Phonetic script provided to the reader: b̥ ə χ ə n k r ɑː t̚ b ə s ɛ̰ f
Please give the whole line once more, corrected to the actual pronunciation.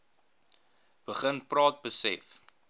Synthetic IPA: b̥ ə χ ə n p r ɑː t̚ b ə s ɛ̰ f